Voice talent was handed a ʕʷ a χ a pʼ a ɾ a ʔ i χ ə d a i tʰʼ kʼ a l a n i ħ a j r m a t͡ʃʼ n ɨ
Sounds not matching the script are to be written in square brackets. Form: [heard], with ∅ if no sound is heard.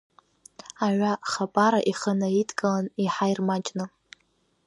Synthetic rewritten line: a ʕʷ a χ a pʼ a ɾ a ʔ i χ ə [n] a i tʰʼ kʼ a l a n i ħ a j r m a t͡ʃʼ n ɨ